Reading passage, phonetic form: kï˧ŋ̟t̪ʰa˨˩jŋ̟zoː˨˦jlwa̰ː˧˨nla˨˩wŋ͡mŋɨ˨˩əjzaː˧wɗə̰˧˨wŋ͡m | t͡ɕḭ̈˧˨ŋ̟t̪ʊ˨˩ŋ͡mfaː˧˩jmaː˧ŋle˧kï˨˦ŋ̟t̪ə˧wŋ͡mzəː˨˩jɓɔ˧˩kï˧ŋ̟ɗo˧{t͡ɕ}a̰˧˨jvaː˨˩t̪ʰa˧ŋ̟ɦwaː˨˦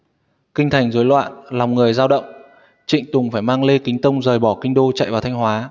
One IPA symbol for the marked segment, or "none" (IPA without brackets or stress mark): t͡ɕ